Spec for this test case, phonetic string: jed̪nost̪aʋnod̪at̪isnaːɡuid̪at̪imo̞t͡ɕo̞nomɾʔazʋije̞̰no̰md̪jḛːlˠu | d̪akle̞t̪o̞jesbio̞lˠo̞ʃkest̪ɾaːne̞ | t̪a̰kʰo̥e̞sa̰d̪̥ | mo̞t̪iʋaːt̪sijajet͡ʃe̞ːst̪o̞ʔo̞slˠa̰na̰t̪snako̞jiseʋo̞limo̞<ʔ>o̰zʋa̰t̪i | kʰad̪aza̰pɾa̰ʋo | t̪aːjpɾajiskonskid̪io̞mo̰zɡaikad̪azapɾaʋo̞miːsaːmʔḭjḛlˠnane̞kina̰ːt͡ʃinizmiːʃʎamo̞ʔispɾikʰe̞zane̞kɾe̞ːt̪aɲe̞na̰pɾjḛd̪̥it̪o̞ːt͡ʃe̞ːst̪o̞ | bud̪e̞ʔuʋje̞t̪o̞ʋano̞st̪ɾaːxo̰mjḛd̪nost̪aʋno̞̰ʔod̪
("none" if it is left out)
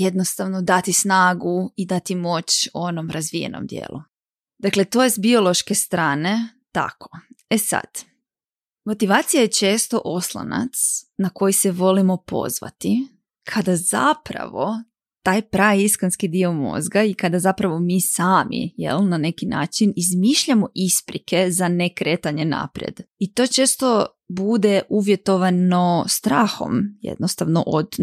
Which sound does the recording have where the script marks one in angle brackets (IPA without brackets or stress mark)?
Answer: p